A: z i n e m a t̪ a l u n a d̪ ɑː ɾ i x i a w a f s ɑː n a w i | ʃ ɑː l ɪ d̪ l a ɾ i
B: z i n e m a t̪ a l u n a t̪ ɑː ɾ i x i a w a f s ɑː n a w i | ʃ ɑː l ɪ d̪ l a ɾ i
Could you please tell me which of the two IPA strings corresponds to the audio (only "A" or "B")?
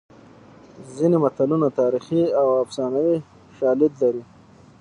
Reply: B